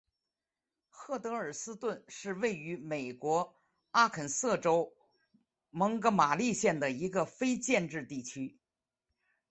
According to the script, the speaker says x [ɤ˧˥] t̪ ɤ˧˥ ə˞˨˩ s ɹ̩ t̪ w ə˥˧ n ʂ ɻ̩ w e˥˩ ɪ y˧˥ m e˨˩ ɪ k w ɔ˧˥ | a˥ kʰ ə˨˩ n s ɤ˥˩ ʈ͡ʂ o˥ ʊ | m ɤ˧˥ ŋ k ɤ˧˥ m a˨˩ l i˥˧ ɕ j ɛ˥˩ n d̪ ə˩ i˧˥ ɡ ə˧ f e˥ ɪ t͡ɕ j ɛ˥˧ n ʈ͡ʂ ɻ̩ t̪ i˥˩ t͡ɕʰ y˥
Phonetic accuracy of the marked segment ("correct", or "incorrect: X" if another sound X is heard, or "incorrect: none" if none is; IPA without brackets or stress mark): incorrect: ɤ˥˩